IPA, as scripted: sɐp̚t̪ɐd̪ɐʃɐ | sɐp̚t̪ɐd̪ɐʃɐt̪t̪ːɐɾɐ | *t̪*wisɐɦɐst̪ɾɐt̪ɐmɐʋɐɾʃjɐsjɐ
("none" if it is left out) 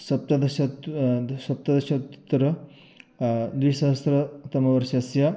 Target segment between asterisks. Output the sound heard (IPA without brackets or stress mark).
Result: d̪